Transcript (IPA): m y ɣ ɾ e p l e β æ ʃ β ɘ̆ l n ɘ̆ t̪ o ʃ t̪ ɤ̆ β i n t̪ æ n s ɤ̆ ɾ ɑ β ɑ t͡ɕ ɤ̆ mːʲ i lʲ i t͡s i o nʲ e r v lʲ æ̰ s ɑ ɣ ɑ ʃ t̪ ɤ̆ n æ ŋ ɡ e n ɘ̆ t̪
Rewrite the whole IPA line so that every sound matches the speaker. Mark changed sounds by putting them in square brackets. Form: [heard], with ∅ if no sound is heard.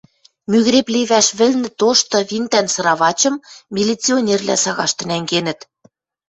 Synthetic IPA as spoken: m y ɣ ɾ e p l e β æ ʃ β ɘ̆ l n ɘ̆ t̪ o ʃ t̪ ɤ̆ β i n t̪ æ n s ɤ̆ ɾ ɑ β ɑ t͡ɕ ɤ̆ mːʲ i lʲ i t͡s i o nʲ e r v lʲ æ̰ s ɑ ɣ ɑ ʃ t̪ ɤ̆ n æ ŋ ɡ e n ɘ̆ t̪